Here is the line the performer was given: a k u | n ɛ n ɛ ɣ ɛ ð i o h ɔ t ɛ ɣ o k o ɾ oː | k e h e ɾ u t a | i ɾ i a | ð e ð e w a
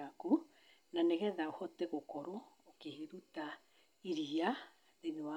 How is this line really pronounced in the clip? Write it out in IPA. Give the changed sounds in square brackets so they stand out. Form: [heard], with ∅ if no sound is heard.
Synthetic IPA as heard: a k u | n [a] n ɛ ɣ ɛ ð [a] o h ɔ t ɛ ɣ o k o ɾ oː | k e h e ɾ u t a | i ɾ i a | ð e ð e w a